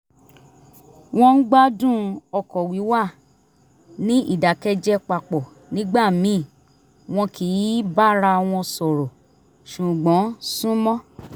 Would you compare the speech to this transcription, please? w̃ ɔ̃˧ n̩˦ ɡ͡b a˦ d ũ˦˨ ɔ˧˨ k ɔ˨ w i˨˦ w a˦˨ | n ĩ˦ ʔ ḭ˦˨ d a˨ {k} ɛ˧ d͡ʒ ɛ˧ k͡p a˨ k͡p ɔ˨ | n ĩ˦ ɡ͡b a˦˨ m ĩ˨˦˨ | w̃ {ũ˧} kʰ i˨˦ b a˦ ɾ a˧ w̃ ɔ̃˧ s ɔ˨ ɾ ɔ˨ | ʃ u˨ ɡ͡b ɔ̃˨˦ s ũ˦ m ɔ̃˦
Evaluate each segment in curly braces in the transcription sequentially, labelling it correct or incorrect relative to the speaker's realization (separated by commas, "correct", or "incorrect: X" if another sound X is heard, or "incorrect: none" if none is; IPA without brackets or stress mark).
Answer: correct, incorrect: ɔ̃˧